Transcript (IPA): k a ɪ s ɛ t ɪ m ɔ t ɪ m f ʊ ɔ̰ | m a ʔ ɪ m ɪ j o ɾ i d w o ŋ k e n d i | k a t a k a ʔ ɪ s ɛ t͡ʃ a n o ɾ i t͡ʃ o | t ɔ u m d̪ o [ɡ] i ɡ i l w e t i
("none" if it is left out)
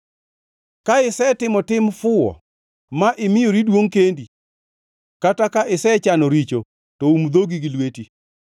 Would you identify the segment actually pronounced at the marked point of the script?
ɡ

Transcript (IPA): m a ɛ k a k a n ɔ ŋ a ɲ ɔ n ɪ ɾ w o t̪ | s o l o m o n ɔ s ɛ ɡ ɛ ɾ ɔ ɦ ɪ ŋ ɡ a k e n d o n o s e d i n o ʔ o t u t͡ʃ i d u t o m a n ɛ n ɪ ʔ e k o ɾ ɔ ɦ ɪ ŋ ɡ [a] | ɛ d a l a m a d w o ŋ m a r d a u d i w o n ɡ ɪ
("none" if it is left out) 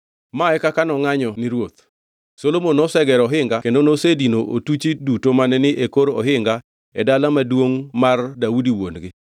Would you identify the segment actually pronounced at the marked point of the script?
a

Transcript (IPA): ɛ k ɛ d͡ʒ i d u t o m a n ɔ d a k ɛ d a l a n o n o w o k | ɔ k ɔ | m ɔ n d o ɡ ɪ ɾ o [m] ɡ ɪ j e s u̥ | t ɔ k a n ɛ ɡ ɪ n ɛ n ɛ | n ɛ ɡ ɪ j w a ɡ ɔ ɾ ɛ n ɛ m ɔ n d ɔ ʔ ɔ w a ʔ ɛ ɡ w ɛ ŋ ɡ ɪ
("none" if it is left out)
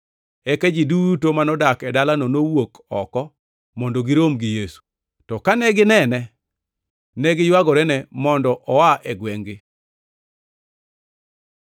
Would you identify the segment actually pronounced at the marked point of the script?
m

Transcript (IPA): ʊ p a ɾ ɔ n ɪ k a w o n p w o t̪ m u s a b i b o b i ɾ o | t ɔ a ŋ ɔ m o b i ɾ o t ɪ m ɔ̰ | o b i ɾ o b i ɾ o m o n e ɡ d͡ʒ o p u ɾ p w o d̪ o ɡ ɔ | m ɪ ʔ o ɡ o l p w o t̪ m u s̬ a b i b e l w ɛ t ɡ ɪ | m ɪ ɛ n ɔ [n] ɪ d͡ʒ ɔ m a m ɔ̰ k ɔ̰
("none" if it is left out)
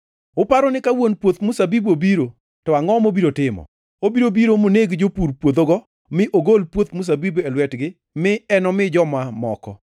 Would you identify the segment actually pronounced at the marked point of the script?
m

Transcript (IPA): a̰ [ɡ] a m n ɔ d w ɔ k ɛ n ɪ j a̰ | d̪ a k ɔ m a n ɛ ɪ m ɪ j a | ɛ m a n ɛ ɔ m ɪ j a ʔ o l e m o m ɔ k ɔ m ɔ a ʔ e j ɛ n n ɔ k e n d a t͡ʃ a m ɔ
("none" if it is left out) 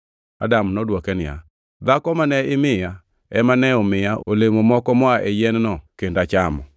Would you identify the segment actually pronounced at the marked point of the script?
d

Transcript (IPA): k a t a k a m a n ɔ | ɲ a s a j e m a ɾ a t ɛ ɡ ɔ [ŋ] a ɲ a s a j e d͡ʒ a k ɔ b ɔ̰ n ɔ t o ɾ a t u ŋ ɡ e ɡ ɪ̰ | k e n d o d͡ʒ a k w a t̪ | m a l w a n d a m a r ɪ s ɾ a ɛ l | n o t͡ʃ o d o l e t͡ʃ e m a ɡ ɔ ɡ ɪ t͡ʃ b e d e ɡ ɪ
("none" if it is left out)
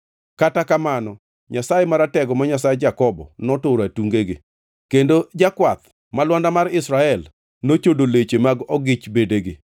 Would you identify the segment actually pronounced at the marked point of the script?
m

